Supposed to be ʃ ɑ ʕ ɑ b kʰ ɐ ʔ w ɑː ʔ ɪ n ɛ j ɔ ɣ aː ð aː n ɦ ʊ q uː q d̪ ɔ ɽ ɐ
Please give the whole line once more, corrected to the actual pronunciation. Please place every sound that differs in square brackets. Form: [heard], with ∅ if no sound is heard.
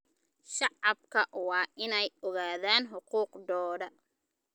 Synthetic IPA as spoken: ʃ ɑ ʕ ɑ b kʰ ɐ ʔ w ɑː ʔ ɪ n ɛ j ɔ ɣ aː ð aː n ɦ ʊ q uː q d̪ [ɔː] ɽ ɐ

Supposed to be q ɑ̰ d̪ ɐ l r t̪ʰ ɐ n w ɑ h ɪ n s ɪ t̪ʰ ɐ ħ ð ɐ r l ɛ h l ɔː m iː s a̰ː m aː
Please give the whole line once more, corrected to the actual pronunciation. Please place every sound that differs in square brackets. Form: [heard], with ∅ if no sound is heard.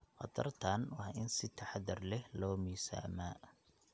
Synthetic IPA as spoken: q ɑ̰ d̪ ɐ [∅] r t̪ʰ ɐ n w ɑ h ɪ n s ɪ t̪ʰ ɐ ħ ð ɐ r l ɛ h l ɔː m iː s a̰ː m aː

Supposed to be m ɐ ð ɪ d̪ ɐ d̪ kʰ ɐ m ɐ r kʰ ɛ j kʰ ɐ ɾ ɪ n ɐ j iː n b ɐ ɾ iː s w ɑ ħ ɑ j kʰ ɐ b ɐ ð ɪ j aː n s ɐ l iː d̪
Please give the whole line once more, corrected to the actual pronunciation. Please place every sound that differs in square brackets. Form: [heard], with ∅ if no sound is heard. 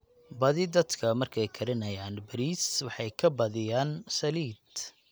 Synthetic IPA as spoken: [b] ɐ ð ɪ d̪ ɐ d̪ kʰ ɐ m ɐ r kʰ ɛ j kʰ ɐ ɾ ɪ n ɐ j [aː] n b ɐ ɾ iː s w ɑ ħ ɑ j kʰ ɐ b ɐ ð ɪ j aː n s ɐ l iː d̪

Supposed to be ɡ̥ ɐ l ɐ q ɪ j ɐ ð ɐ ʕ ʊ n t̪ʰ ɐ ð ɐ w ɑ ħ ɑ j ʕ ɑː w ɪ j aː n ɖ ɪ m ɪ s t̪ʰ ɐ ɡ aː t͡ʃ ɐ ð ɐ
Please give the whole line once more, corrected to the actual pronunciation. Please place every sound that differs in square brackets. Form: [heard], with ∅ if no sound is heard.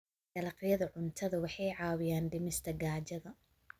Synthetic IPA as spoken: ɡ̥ ɐ l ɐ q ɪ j ɐ ð ɐ ʕ ʊ n t̪ʰ ɐ ð ɐ w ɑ ħ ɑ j ʕ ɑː w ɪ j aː n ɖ ɪ m ɪ s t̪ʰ ɐ ɡ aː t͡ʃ ɐ ð ɐ

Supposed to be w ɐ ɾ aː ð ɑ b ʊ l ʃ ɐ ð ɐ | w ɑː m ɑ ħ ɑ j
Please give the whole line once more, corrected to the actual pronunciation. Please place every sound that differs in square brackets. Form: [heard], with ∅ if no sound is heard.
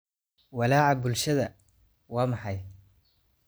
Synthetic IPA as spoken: w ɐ [l] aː [ʕ] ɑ b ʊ l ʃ ɐ ð ɐ | w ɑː m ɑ ħ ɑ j

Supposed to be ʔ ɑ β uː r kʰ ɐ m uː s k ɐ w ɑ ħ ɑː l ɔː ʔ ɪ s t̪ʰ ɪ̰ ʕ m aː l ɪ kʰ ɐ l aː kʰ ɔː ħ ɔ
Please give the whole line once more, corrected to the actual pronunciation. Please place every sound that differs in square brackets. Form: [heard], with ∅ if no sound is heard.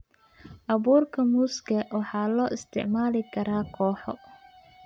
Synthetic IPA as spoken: ʔ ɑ β uː r kʰ ɐ m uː s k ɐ w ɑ ħ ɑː l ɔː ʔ ɪ s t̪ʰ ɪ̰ ʕ m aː l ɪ kʰ ɐ [ɾ] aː kʰ ɔː ħ ɔ

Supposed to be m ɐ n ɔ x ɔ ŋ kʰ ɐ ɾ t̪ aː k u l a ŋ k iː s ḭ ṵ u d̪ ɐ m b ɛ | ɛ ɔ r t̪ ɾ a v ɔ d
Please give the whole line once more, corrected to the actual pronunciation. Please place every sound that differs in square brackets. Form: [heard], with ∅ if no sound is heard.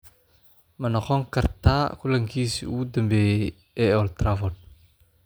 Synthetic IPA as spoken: m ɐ n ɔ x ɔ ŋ [k] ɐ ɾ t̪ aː k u l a ŋ k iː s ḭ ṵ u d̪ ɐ m b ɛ | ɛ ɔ [l] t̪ ɾ a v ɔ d

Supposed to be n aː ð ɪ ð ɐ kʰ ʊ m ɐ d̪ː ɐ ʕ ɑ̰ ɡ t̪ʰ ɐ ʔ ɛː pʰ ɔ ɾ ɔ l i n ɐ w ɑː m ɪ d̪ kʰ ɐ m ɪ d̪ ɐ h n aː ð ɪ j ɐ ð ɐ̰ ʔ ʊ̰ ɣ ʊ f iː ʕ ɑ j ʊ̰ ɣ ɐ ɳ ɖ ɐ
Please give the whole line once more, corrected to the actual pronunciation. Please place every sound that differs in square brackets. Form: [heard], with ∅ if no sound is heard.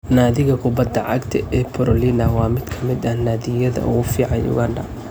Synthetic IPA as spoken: n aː ð ɪ [ɣ] ɐ kʰ ʊ [b] ɐ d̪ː ɐ ʕ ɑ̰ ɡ t̪ʰ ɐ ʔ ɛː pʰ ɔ ɾ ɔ l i n ɐ w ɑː m ɪ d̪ kʰ ɐ m ɪ d̪ ɐ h n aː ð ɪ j ɐ ð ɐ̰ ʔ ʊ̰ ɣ ʊ f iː ʕ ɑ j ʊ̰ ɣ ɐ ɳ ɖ ɐ

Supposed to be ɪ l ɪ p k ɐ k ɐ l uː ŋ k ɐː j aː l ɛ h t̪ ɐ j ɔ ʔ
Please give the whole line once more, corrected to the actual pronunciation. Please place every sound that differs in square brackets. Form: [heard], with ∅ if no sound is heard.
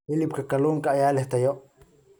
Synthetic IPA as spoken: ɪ l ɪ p k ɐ k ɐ l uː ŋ k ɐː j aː l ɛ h t̪ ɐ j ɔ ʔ

